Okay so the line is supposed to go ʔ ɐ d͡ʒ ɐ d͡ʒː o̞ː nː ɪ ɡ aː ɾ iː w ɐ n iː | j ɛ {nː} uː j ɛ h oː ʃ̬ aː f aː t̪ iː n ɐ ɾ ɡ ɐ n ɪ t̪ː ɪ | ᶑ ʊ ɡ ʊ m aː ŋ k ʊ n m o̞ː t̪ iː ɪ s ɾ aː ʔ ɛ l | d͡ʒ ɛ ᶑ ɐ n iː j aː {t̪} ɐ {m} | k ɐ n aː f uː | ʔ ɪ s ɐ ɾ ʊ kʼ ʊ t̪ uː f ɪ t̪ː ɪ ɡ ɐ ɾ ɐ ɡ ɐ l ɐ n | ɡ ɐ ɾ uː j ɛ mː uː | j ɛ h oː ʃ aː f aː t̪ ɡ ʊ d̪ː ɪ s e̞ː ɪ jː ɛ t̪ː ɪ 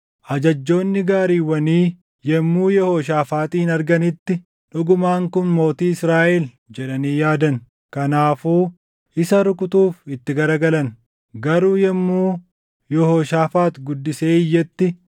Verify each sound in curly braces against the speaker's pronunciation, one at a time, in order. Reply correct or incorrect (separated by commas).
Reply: incorrect, incorrect, incorrect